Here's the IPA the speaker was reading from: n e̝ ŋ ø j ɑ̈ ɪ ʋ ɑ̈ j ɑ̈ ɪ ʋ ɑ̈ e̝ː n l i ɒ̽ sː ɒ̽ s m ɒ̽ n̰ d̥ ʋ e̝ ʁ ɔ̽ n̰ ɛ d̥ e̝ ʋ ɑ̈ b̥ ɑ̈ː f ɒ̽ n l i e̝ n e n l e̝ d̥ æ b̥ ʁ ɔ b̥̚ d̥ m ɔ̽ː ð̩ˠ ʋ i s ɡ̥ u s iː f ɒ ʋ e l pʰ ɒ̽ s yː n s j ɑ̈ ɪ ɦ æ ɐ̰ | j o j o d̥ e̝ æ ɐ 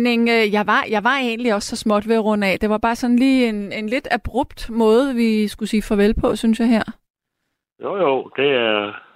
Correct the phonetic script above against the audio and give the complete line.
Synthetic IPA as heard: n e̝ ŋ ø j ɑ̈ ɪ ʋ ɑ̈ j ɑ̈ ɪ ʋ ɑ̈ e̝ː n l i ɒ̽ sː ɒ̽ s m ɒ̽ d̥ ʋ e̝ ʁ ɔ̽ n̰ ɛ d̥ e̝ ʋ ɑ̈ b̥ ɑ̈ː s ɒ̽ n l iː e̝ n e n l e̝ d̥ æ b̥ ʁ ɔ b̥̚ d̥ m ɔ̽ː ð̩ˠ ʋ i s ɡ̥ u s iː f ɒ ʋ e l pʰ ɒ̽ s y n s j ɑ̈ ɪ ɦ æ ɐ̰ | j o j o d̥ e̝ æ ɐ